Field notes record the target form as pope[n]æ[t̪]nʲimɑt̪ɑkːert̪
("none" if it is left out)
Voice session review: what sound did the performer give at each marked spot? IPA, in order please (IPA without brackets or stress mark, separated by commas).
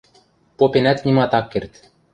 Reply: n, t̪